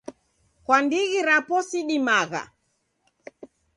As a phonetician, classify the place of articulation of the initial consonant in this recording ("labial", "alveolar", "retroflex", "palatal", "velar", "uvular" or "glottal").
velar